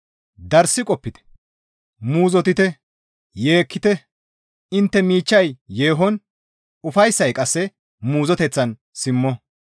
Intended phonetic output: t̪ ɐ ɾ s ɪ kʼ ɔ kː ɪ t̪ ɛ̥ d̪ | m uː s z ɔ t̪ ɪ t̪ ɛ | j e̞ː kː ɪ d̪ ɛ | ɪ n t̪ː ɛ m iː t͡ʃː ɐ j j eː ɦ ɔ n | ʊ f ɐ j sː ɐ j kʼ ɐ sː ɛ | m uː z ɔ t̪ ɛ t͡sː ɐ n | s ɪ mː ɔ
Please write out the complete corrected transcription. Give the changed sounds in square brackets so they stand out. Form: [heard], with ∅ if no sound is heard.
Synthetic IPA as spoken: [d̪] ɐ ɾ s ɪ kʼ ɔ [pː] ɪ t̪ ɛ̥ [∅] | m uː [∅] z ɔ t̪ ɪ t̪ ɛ | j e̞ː kː ɪ [t̪] ɛ | ɪ n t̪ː ɛ m iː t͡ʃː ɐ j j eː ɦ ɔ n | ʊ f ɐ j sː ɐ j kʼ ɐ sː ɛ | m uː z ɔ t̪ ɛ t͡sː ɐ n | s ɪ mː ɔ